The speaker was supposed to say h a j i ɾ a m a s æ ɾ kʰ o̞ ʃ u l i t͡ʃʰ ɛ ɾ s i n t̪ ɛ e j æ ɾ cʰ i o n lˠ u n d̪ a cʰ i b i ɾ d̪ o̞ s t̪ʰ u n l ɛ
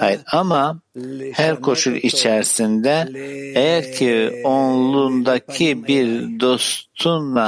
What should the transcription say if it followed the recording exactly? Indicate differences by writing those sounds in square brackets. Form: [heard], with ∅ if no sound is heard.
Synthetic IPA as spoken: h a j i ɾ a m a [h] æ ɾ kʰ o̞ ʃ u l i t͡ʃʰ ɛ ɾ s i n [d̪] ɛ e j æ ɾ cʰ i o n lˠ u n d̪ a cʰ i b i ɾ d̪ o̞ s t̪ʰ u n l [a]